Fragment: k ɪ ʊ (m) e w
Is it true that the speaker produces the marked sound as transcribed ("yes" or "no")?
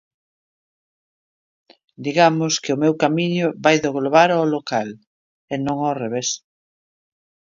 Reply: yes